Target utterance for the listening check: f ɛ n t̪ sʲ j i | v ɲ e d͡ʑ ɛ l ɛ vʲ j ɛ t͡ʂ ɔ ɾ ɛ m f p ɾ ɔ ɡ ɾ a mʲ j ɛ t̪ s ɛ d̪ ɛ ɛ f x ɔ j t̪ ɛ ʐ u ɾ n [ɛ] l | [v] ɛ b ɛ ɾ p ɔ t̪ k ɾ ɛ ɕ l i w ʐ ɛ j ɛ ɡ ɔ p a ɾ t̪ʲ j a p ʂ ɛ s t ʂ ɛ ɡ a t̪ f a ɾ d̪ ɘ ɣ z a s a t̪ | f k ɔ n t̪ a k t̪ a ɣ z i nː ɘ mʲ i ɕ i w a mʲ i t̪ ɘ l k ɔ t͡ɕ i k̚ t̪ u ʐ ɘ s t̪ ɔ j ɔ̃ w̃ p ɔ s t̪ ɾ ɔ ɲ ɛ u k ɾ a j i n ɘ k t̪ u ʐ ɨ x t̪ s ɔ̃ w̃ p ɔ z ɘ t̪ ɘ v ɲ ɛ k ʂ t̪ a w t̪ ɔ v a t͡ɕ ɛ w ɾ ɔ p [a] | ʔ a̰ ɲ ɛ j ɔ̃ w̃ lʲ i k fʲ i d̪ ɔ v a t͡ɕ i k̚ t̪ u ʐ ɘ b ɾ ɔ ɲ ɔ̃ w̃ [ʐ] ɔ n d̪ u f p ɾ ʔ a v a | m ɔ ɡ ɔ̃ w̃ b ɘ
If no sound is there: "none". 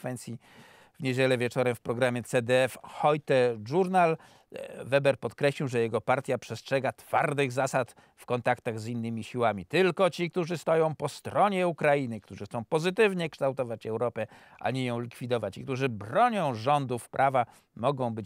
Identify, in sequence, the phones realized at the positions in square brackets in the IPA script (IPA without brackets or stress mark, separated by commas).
a, v, ɛ, ʐ